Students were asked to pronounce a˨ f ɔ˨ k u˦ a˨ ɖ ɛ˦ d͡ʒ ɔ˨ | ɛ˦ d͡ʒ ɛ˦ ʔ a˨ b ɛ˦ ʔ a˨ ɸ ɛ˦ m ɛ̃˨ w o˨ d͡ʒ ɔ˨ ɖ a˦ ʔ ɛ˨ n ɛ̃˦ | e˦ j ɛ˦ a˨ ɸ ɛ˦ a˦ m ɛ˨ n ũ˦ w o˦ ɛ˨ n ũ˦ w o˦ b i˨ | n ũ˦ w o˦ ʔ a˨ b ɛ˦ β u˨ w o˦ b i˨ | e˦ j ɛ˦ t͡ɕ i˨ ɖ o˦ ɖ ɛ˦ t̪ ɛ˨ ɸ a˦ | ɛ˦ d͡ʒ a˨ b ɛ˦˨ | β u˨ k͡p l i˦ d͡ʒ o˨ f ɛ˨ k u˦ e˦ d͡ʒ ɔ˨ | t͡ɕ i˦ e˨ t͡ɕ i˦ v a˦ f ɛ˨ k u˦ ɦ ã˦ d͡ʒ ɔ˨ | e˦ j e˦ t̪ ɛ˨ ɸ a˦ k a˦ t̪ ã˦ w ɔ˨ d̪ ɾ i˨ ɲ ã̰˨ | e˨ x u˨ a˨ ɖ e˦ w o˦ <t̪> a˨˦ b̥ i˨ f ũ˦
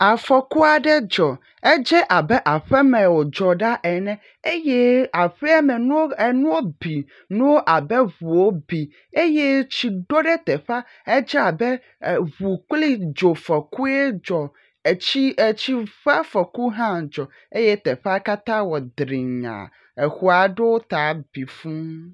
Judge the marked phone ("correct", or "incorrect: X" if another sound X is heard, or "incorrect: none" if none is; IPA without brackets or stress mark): correct